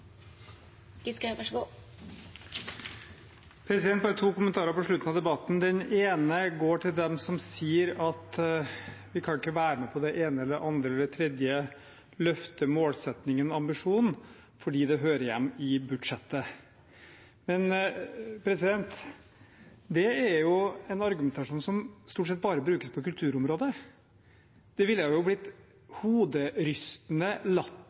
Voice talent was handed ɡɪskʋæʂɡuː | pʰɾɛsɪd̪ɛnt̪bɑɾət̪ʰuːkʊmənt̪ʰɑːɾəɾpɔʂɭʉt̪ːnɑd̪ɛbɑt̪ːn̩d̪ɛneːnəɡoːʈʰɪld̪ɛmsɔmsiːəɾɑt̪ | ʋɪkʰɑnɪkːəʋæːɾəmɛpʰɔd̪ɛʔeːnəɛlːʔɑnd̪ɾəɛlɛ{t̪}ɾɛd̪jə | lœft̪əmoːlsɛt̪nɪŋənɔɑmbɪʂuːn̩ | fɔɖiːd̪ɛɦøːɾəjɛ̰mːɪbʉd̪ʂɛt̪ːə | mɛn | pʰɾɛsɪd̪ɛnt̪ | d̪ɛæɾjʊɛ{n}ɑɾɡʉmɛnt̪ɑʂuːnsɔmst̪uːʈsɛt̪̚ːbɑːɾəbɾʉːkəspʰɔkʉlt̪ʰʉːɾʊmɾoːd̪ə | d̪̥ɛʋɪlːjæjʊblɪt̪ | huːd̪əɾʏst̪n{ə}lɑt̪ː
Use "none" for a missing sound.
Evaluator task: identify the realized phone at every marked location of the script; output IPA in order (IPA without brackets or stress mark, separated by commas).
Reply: t̪ʰ, n, ə